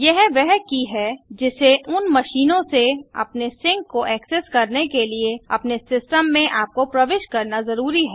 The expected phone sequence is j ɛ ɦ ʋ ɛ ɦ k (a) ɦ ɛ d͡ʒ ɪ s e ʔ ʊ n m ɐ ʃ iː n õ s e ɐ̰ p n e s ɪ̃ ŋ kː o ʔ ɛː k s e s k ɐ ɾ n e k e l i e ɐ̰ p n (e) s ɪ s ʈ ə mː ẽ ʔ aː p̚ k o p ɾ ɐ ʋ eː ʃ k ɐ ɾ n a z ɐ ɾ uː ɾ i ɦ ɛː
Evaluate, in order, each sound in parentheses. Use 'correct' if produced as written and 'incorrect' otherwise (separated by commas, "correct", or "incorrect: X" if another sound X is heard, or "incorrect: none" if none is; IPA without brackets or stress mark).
incorrect: i, correct